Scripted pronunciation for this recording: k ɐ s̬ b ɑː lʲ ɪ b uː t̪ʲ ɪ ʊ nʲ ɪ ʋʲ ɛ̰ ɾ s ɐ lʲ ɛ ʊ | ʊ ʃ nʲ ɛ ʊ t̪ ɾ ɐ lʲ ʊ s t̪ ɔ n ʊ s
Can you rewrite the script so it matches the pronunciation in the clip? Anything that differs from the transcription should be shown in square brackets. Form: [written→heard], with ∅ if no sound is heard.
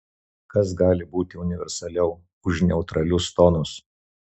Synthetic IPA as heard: k ɐ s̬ [b→ɡ] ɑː lʲ ɪ b uː t̪ʲ ɪ ʊ nʲ ɪ ʋʲ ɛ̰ ɾ s ɐ lʲ ɛ ʊ | ʊ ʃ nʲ ɛ ʊ t̪ ɾ ɐ lʲ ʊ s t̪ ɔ n ʊ s